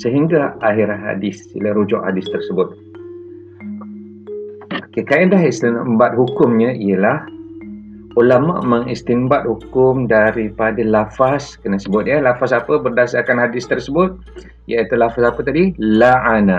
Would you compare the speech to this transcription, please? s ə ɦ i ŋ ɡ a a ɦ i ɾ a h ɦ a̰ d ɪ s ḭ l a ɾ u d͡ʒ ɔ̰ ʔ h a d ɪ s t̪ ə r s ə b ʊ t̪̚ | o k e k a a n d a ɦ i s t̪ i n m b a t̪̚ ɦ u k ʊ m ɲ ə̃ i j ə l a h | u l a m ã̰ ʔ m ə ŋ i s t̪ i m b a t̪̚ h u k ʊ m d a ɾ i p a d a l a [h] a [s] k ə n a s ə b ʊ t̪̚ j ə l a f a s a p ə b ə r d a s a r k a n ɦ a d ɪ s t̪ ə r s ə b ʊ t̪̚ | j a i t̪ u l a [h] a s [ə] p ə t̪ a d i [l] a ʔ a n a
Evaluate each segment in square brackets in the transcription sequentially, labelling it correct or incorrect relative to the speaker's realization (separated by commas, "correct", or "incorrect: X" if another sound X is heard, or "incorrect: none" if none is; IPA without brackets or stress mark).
incorrect: f, correct, incorrect: f, incorrect: a, correct